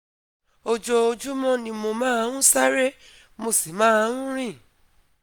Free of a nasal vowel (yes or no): no